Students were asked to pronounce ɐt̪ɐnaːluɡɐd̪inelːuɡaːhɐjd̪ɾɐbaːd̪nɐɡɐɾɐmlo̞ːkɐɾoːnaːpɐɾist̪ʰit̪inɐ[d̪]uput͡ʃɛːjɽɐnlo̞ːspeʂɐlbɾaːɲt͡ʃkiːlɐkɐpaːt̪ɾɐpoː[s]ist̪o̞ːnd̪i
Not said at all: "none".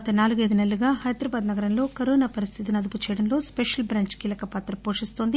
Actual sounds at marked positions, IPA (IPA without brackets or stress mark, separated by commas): d̪, ʂ